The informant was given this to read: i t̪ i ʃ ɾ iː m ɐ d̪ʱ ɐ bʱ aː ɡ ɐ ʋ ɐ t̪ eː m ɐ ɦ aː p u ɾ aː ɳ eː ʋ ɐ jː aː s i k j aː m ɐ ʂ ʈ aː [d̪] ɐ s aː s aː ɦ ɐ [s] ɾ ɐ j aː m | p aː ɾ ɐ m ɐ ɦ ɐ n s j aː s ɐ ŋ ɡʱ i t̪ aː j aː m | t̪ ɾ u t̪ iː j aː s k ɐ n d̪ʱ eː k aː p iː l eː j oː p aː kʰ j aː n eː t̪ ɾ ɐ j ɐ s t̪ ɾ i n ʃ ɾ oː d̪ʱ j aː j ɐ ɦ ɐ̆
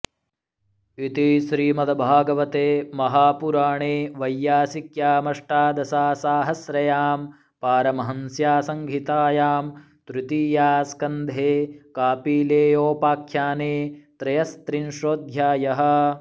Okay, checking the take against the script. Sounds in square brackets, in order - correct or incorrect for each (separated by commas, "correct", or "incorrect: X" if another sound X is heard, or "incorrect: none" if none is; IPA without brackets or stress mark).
correct, correct